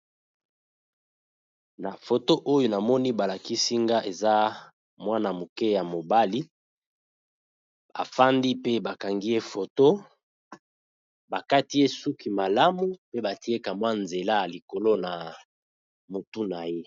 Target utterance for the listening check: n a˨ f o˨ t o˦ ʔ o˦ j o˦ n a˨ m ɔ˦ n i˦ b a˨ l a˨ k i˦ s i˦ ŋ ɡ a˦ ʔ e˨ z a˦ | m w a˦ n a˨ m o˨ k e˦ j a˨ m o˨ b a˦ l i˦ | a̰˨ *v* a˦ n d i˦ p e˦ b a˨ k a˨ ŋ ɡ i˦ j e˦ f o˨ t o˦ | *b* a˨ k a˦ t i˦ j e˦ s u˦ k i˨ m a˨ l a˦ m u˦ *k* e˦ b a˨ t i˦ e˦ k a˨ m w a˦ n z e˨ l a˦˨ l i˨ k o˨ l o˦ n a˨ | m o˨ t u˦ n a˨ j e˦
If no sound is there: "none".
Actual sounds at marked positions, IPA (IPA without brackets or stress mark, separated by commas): f, b, p